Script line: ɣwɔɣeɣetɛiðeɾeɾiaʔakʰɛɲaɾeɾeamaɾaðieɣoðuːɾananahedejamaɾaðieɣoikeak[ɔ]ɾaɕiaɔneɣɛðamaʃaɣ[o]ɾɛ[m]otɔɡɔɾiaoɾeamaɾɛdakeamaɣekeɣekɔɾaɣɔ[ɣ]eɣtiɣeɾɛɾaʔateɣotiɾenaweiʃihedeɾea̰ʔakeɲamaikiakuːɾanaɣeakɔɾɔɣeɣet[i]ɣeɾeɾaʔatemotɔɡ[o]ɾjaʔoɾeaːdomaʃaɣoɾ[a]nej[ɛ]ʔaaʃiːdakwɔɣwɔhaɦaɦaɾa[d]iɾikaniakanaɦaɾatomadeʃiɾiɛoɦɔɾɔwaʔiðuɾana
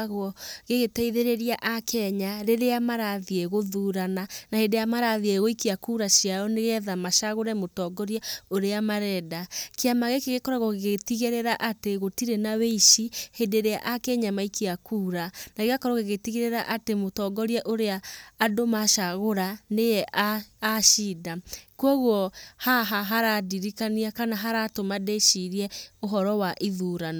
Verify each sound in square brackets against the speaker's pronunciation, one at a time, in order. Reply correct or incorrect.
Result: incorrect, correct, correct, correct, correct, incorrect, correct, correct, correct

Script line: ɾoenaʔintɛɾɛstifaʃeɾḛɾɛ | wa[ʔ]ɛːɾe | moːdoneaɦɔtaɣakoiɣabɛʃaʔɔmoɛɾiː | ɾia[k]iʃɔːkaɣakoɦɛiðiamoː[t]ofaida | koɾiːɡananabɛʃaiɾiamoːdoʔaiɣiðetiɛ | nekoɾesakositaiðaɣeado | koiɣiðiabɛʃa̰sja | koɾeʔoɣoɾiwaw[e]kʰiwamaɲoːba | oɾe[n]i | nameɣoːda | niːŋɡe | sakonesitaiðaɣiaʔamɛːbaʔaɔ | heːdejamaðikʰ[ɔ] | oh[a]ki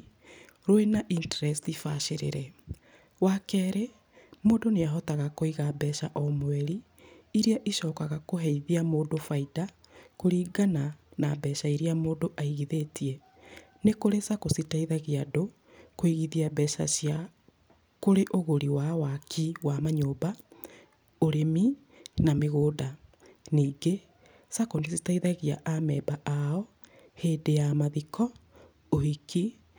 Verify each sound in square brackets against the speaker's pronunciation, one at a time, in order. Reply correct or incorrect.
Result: incorrect, incorrect, incorrect, incorrect, incorrect, correct, incorrect

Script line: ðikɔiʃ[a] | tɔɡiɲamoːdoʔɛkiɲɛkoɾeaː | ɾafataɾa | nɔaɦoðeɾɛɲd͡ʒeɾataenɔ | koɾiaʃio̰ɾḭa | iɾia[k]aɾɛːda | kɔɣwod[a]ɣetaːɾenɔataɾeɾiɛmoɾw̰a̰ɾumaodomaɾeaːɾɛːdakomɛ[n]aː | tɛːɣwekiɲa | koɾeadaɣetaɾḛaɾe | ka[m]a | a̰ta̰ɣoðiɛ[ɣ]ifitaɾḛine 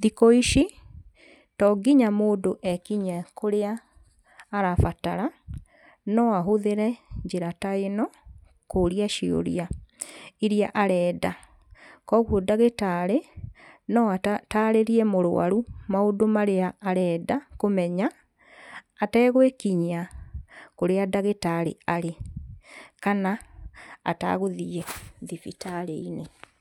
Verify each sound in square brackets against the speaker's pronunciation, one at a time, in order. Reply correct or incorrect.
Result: incorrect, incorrect, correct, incorrect, incorrect, incorrect

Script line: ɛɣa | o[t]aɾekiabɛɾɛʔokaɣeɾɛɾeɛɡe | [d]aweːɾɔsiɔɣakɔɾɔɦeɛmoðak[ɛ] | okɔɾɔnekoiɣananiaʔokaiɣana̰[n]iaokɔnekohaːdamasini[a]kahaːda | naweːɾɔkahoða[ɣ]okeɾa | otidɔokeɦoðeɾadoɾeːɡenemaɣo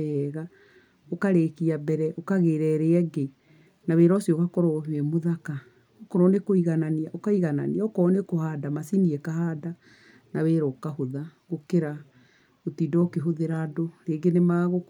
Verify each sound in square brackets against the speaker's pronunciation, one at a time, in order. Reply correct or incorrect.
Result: incorrect, incorrect, incorrect, correct, incorrect, correct

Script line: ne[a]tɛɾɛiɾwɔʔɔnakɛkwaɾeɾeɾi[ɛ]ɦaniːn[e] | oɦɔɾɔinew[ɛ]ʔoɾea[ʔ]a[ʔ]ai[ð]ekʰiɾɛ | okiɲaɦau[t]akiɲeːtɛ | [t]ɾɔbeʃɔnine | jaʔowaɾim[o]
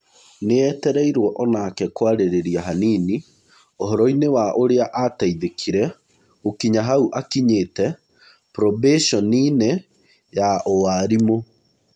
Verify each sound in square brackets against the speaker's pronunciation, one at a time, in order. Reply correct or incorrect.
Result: incorrect, incorrect, incorrect, incorrect, correct, incorrect, correct, incorrect, incorrect, correct

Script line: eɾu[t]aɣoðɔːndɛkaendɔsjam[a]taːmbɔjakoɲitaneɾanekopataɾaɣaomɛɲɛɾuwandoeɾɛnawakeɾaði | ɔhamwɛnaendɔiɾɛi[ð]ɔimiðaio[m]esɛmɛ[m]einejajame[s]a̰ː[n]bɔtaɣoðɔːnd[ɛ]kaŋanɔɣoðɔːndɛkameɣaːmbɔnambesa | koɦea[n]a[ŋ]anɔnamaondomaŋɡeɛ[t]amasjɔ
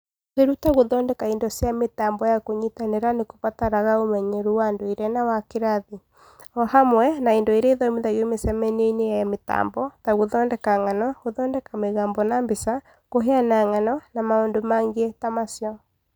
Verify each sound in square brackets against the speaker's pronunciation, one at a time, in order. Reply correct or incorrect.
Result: correct, incorrect, correct, correct, incorrect, incorrect, incorrect, correct, correct, correct, correct

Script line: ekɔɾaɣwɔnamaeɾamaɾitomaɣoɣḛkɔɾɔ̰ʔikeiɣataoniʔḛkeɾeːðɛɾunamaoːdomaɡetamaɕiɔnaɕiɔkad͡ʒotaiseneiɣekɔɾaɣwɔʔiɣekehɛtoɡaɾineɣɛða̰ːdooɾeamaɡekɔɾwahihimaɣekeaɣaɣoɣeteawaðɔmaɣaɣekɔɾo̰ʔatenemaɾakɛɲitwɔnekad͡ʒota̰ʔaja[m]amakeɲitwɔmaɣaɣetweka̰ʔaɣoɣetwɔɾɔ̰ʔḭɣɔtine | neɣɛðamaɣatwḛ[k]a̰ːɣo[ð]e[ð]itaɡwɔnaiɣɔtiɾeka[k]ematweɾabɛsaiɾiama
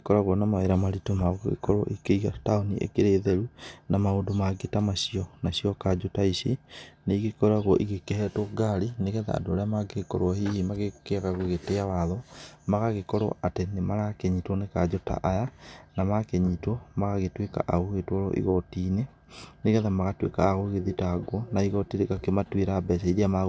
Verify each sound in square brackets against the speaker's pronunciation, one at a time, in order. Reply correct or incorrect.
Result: incorrect, correct, incorrect, correct, correct

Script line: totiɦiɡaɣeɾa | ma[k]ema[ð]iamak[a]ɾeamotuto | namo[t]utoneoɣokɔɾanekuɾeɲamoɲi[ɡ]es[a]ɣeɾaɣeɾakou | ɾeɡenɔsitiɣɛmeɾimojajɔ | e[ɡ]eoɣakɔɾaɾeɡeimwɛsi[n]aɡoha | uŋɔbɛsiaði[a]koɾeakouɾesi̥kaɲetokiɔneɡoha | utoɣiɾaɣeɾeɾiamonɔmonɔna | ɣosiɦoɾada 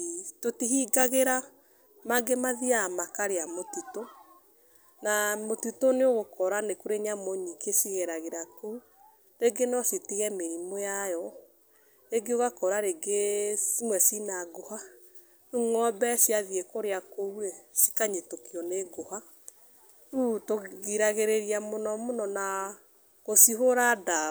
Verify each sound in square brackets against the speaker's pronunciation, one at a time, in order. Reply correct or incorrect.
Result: incorrect, correct, correct, correct, incorrect, incorrect, correct, correct, incorrect

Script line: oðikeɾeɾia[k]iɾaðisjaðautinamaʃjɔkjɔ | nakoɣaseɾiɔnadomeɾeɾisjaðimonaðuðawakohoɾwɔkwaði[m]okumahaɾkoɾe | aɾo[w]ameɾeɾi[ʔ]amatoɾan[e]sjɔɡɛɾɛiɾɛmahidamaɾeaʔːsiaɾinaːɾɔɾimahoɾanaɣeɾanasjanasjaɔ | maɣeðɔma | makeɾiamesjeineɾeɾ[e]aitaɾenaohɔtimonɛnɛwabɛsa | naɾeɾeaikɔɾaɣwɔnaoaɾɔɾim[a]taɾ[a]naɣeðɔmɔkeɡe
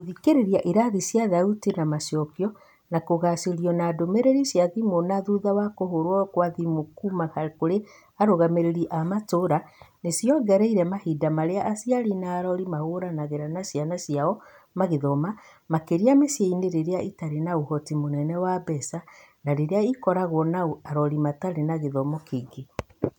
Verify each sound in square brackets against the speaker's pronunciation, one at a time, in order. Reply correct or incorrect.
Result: incorrect, correct, incorrect, correct, correct, correct, correct, incorrect

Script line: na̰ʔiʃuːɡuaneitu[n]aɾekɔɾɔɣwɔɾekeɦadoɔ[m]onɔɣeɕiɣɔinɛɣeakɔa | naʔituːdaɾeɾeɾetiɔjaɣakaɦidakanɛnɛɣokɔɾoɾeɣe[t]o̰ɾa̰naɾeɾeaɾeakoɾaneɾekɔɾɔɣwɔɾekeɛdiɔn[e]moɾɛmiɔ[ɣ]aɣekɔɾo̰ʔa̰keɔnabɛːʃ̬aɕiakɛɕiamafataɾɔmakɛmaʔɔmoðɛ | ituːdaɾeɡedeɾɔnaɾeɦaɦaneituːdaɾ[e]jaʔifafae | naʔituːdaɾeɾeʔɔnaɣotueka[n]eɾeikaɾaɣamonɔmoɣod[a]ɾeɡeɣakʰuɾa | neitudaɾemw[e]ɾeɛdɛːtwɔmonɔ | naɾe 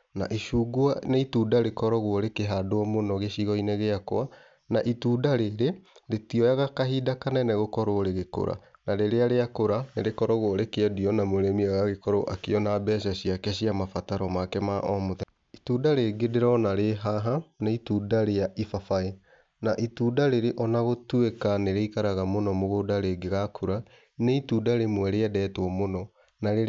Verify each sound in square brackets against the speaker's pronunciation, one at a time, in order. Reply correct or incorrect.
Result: incorrect, correct, incorrect, incorrect, correct, correct, correct, correct, incorrect

